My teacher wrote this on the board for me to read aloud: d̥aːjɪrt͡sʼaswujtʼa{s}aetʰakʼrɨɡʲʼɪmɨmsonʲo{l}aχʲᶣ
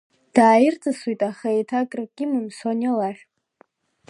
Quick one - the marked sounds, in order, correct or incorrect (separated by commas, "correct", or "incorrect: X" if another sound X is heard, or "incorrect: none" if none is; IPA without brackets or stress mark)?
incorrect: χ, correct